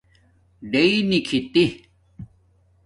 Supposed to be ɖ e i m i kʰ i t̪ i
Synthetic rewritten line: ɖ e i n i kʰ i t̪ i